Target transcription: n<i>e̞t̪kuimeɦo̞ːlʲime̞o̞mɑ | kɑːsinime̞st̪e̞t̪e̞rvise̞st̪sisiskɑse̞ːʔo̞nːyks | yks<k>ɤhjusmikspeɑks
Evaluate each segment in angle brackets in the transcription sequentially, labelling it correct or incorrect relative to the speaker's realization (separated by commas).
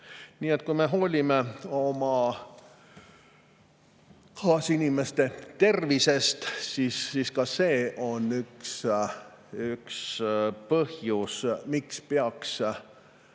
incorrect, incorrect